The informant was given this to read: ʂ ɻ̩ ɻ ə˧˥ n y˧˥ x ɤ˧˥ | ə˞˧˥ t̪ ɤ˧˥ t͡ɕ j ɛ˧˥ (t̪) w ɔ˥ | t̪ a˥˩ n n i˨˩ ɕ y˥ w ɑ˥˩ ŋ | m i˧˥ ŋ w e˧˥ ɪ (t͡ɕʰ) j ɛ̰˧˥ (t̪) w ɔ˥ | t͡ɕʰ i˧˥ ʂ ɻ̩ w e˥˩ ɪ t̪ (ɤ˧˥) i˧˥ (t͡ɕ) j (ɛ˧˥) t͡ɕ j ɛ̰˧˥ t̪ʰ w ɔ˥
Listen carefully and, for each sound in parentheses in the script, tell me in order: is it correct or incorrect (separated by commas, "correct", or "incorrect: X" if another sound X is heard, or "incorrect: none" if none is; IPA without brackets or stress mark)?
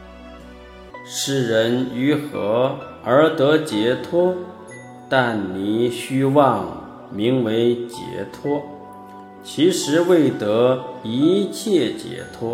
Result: incorrect: t̪ʰ, incorrect: t͡ɕ, incorrect: t̪ʰ, correct, incorrect: t͡ɕʰ, incorrect: ɛ˥˩